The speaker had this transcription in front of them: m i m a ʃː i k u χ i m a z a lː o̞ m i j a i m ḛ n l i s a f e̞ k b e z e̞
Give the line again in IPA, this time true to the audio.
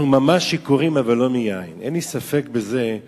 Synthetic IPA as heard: m a m a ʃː i k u ʁ i m a v a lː o̞ m i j a i n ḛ n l i s a f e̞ k b e z e̞